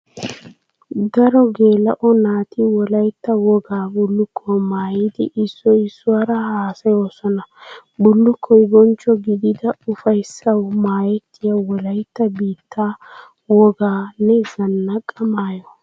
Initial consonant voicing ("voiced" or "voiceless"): voiced